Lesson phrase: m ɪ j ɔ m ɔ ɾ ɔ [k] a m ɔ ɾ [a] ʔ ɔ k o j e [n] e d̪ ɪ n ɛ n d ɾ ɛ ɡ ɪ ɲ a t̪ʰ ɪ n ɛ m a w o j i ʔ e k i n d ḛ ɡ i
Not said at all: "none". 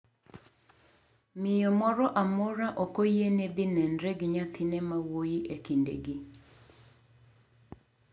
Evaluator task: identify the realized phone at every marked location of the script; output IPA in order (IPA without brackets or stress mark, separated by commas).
ʔ, a, n